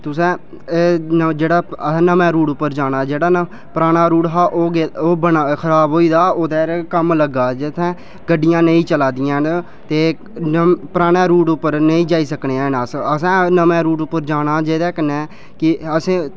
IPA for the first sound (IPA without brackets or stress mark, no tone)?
t̪